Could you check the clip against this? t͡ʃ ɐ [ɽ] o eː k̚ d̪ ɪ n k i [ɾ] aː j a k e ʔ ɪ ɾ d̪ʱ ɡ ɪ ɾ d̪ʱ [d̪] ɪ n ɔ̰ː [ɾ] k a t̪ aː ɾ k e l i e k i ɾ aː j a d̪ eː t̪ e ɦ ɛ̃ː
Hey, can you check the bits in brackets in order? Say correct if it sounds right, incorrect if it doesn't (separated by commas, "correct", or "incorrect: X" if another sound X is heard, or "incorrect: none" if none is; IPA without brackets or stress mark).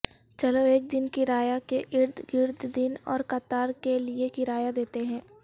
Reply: incorrect: l, correct, correct, correct